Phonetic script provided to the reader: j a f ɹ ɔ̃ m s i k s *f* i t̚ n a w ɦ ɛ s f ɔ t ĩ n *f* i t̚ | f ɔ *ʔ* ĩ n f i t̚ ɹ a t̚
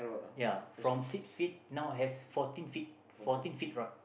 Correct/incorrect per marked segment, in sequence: correct, correct, incorrect: t

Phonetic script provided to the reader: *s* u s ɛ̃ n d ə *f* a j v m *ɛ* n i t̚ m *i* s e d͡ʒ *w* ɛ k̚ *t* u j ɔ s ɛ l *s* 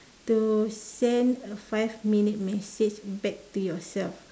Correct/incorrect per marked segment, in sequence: incorrect: t, correct, incorrect: i, incorrect: ɛ, incorrect: b, correct, incorrect: f

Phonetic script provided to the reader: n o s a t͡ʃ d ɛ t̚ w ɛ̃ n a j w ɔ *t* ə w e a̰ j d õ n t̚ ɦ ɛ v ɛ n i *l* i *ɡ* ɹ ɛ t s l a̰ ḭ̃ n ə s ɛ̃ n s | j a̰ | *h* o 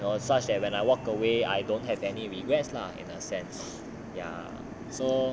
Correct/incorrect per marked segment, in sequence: incorrect: k, incorrect: ɹ, correct, incorrect: s

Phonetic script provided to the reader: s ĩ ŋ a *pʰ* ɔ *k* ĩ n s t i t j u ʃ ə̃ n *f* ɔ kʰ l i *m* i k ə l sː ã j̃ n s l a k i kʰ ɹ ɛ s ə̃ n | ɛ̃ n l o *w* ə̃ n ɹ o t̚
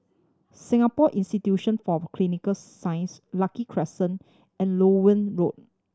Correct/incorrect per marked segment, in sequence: incorrect: p, incorrect: ʔ, correct, incorrect: n, correct

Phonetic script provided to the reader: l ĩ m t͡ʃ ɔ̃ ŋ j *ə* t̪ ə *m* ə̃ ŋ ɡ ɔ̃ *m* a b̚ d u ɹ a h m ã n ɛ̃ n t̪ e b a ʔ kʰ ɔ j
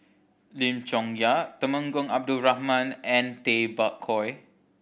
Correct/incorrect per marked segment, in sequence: incorrect: a, correct, incorrect: ŋ

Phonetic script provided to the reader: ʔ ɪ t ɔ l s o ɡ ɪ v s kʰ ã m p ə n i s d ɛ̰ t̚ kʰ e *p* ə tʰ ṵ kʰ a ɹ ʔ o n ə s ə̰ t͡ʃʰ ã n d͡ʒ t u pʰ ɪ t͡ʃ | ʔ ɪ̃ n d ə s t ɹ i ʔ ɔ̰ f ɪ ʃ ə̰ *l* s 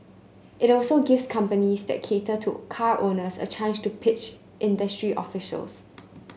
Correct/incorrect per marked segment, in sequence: incorrect: t, correct

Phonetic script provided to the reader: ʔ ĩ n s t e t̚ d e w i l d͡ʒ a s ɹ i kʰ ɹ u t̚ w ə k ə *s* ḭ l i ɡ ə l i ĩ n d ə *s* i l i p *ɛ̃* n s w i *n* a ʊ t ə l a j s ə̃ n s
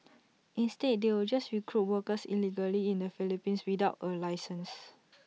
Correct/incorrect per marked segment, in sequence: correct, incorrect: f, incorrect: ĩ, incorrect: d

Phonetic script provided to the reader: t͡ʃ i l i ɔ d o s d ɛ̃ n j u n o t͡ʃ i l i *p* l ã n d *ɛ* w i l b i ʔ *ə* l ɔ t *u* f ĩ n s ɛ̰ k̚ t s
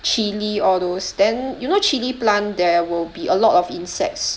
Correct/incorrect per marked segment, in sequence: correct, correct, correct, incorrect: ɔ

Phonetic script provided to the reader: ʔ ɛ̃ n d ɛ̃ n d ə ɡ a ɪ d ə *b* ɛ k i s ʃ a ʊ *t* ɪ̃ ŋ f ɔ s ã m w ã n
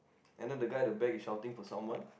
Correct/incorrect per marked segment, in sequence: correct, correct

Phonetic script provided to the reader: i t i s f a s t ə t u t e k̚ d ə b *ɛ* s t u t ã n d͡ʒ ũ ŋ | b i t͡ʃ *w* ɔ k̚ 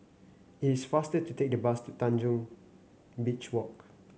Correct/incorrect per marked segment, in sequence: incorrect: a, correct

